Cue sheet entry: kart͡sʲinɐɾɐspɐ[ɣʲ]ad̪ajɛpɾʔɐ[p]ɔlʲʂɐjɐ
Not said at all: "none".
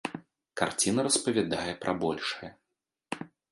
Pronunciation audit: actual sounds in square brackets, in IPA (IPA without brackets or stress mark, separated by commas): vʲ, b